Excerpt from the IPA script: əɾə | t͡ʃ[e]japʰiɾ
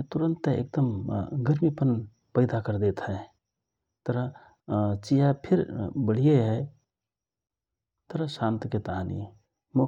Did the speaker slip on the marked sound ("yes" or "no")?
yes